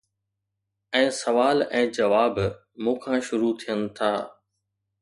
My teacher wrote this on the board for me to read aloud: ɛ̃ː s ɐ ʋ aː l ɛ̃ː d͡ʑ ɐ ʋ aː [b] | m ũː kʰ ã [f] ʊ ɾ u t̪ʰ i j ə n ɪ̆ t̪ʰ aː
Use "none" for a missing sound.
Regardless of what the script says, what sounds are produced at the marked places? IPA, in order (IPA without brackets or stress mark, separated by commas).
b, ʃ